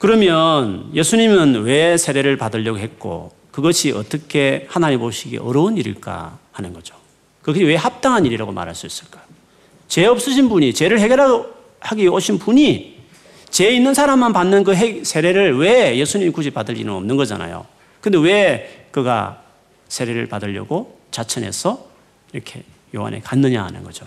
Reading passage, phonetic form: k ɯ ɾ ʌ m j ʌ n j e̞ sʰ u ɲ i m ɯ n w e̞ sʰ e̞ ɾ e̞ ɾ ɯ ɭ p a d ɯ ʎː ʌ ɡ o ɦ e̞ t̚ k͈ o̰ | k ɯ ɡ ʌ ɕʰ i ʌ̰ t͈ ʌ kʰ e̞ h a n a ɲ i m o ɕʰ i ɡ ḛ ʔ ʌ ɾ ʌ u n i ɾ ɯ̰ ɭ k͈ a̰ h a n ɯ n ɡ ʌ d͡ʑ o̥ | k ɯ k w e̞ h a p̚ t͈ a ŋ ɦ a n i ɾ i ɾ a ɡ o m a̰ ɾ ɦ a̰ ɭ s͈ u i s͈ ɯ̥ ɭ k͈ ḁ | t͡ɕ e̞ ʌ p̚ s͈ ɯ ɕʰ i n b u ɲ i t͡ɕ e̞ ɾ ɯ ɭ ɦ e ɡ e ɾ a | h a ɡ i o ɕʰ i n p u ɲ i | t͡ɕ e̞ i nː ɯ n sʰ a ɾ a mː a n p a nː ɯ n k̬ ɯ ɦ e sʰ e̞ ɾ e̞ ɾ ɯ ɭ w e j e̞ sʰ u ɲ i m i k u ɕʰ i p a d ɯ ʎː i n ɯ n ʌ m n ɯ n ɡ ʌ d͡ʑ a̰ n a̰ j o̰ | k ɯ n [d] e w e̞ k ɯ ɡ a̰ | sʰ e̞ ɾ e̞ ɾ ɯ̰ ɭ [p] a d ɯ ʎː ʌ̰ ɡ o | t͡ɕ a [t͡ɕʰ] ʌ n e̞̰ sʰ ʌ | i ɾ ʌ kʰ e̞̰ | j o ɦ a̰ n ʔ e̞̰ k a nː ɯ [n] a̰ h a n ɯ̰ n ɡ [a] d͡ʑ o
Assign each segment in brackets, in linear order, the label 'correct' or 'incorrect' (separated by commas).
correct, correct, correct, incorrect, incorrect